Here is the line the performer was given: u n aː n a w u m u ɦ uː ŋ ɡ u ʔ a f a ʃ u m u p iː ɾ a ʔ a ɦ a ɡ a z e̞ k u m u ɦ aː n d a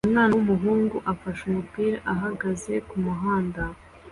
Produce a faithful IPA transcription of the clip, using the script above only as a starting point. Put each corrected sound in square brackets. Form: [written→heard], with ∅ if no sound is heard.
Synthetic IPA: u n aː n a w u m u ɦ uː ŋ ɡ u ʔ a f a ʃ u m u p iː ɾ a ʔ a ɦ a ɡ a z e̞ k u m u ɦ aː n d a